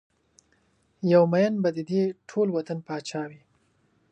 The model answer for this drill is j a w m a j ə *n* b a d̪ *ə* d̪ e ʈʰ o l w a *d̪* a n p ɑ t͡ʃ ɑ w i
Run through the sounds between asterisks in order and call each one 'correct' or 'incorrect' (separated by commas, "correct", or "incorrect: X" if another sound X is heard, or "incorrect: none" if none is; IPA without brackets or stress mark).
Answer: correct, correct, incorrect: t̪